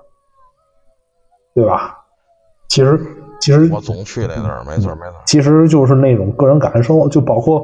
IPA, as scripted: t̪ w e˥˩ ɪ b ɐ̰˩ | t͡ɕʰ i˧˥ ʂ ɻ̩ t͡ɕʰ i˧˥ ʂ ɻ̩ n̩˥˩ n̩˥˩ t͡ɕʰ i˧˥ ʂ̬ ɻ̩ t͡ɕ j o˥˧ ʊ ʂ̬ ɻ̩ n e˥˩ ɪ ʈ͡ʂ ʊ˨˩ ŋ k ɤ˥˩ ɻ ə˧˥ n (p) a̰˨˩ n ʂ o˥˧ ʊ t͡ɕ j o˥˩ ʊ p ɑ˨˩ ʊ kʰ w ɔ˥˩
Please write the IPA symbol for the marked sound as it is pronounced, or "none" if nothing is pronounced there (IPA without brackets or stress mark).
k